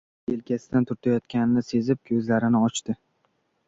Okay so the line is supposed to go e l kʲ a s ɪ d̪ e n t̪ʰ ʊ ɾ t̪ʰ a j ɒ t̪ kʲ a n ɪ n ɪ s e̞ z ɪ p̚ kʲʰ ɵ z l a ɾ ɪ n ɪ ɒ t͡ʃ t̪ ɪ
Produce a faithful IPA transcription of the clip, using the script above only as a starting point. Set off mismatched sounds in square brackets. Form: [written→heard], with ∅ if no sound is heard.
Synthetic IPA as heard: e l kʲ a s ɪ d̪ [e→a] n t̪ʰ ʊ ɾ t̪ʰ a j ɒ t̪ kʲ a n ɪ n ɪ s e̞ z ɪ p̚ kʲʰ ɵ z l a ɾ ɪ n ɪ ɒ t͡ʃ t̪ ɪ